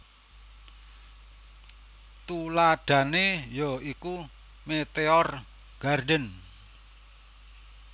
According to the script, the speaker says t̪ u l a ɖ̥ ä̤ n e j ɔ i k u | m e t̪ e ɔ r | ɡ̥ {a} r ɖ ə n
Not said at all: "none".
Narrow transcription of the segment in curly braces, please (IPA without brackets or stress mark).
a